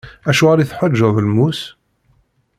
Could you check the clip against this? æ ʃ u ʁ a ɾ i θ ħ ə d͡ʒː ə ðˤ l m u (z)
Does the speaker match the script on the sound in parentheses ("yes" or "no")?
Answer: no